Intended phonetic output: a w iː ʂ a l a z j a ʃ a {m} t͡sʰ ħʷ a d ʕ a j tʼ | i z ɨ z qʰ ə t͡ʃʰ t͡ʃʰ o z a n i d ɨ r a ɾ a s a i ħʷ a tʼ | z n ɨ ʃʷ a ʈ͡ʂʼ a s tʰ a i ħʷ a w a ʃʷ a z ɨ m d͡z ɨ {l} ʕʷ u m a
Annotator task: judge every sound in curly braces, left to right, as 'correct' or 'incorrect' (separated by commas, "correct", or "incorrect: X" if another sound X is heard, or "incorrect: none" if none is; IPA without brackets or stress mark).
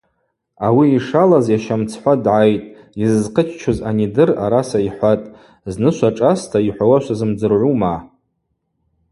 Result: correct, incorrect: r